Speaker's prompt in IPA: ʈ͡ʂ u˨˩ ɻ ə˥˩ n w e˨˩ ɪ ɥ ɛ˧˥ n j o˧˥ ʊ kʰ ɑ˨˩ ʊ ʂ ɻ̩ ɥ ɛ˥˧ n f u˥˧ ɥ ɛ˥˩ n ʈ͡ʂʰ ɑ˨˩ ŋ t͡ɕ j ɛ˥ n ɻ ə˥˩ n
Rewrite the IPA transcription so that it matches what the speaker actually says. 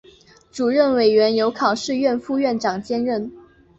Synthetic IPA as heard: ʈ͡ʂ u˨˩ ɻ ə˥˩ n w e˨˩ ɪ ɥ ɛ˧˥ n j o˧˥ ʊ kʰ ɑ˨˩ ʊ ʂ ɻ̩ ɥ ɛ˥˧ n f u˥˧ ɥ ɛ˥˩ n ʈ͡ʂ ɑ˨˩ ŋ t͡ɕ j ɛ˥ n ɻ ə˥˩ n